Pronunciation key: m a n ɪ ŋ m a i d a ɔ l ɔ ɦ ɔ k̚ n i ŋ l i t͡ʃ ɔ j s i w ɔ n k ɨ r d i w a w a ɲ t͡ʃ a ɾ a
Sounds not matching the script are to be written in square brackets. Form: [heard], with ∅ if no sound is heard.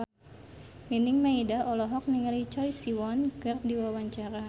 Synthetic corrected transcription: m [i] n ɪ ŋ m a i d a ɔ l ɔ ɦ ɔ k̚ n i ŋ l i t͡ʃ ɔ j s i w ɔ n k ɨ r d i w a w a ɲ t͡ʃ a ɾ a

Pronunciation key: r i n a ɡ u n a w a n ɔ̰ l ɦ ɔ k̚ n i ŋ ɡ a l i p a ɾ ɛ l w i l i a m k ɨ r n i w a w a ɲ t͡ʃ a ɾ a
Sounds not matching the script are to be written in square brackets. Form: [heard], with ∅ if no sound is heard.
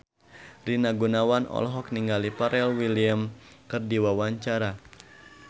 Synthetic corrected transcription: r i n a ɡ u n a w a n ɔ̰ l ɦ ɔ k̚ n i ŋ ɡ a l i p a ɾ ɛ l w i l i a m k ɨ r [d] i w a w a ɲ t͡ʃ a ɾ a

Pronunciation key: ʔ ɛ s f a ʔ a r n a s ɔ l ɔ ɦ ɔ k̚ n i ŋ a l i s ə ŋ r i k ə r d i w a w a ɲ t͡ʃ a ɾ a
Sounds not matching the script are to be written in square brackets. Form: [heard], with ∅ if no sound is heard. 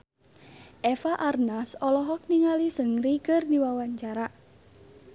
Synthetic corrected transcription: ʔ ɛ [∅] f a ʔ a r n a s ɔ l ɔ ɦ ɔ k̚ n i ŋ a l i s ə ŋ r i k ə r d i w a w a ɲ t͡ʃ a ɾ a

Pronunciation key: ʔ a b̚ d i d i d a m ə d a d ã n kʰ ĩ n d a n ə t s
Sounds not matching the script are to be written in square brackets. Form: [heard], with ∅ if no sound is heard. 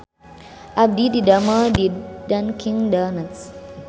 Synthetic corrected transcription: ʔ a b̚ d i d i d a m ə d [i] d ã n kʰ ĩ [ŋ] d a n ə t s

